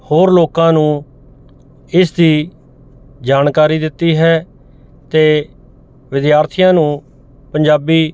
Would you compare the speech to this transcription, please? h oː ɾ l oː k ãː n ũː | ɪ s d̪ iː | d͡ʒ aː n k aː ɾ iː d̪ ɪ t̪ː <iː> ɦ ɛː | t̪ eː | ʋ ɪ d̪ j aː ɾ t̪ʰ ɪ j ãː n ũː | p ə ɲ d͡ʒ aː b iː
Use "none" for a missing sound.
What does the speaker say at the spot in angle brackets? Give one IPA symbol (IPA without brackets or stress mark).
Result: iː